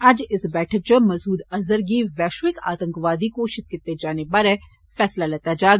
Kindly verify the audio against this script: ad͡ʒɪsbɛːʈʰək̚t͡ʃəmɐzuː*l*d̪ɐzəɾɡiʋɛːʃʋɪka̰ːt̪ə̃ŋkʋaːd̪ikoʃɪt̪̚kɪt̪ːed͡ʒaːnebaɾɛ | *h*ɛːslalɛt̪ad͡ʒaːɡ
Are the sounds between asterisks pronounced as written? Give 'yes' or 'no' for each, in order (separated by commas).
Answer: no, no